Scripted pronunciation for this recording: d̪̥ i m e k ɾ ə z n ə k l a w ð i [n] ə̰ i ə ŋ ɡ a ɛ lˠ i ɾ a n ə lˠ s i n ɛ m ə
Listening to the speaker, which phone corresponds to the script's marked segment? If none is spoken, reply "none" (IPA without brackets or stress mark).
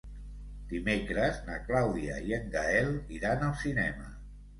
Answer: none